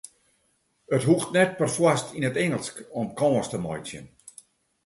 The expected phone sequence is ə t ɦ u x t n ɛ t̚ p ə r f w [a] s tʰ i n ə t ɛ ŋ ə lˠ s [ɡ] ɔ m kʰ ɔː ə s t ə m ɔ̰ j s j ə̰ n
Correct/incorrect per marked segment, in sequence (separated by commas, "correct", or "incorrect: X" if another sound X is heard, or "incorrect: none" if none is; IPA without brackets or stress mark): correct, incorrect: k